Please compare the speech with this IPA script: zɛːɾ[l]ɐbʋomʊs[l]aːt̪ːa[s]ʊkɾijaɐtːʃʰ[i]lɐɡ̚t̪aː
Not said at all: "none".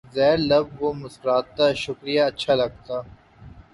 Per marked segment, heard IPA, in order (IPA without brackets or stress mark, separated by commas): l, ɾ, ʃ, a